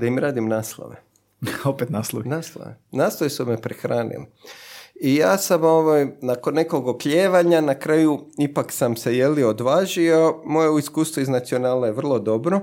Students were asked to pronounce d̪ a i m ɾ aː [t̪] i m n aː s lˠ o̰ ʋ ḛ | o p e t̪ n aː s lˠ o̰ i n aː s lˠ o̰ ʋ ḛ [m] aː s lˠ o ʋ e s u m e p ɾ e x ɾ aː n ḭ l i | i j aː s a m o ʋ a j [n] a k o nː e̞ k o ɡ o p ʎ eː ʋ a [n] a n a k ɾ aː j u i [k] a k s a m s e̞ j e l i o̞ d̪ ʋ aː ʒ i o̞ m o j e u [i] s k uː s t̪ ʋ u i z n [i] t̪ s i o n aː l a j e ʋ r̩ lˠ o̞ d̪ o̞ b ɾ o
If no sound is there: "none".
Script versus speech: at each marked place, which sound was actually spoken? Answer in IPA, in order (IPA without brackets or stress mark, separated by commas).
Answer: d̪, n, n, ɲ, p, i, a